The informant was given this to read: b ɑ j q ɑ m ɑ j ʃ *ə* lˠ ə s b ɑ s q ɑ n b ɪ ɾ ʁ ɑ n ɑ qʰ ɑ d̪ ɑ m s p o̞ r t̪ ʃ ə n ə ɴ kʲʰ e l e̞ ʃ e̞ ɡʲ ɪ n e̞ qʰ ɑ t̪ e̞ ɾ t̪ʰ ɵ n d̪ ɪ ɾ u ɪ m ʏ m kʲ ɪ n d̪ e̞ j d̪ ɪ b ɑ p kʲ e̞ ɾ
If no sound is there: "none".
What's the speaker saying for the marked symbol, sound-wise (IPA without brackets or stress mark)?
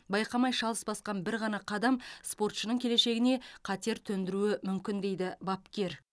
ɑ